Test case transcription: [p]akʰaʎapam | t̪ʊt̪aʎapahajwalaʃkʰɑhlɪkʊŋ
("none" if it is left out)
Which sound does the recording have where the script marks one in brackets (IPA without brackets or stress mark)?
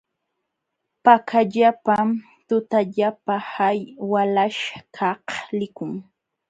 p